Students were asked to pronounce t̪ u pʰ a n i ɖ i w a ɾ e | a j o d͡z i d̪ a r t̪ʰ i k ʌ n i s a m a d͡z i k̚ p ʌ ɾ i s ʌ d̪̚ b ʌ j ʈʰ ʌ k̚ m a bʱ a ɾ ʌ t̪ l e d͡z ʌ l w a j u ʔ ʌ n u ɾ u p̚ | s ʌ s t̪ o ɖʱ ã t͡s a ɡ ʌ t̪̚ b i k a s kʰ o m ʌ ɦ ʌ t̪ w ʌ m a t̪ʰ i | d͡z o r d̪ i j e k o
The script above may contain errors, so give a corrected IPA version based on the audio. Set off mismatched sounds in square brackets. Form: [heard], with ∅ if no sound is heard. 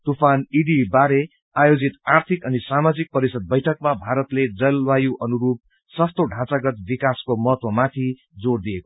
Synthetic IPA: t̪ u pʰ a n i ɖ i [b] a ɾ e | a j o d͡z i [t̪] a r t̪ʰ i k ʌ n i s a m a d͡z i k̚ p ʌ ɾ i s ʌ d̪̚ b ʌ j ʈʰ ʌ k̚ m a bʱ a ɾ ʌ t̪ l e d͡z ʌ l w a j u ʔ ʌ n u ɾ u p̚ | s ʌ s t̪ o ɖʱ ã t͡s a ɡ ʌ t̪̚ b i k a s [k] o m ʌ ɦ ʌ t̪ w ʌ m a t̪ʰ i | d͡z o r d̪ i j e k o